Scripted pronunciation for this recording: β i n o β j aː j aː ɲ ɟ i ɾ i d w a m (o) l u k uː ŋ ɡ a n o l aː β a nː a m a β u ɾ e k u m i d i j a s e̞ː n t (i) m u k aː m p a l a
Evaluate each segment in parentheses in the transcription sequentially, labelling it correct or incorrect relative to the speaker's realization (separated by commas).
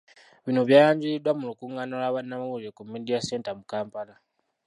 incorrect, incorrect